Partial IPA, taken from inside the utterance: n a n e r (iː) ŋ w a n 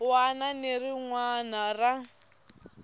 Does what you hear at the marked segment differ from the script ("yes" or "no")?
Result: yes